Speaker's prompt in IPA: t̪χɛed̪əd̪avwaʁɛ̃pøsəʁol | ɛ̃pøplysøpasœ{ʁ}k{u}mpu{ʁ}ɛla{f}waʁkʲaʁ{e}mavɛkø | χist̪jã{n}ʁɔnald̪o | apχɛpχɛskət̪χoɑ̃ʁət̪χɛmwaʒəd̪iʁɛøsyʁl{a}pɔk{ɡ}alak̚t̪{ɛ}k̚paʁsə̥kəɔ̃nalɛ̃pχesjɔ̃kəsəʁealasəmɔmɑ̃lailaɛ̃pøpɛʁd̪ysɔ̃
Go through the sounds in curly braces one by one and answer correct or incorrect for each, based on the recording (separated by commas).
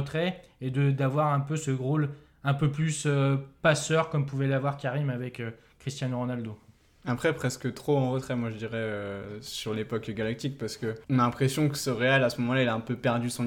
correct, incorrect, incorrect, incorrect, incorrect, correct, incorrect, correct, incorrect